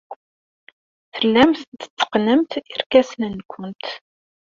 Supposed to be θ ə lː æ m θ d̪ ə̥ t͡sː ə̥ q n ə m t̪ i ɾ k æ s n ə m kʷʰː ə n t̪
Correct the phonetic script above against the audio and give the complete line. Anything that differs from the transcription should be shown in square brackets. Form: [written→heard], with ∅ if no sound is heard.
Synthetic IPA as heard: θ ə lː æ m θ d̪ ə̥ t͡sː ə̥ q n ə m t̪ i ɾ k æ s n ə [m→n] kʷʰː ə n t̪